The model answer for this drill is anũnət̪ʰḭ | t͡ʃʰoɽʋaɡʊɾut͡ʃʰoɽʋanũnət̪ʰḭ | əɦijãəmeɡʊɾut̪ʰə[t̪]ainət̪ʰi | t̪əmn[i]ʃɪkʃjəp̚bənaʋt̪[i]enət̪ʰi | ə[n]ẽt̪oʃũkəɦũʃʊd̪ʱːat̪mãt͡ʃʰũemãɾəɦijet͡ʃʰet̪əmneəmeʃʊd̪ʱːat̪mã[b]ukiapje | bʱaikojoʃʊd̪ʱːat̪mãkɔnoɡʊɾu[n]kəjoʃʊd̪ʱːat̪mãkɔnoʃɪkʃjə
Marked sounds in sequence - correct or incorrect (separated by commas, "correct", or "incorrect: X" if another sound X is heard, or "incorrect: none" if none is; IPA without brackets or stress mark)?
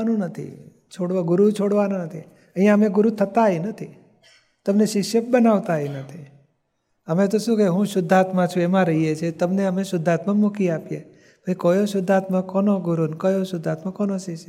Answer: correct, incorrect: e, incorrect: a, incorrect: m, incorrect: m, correct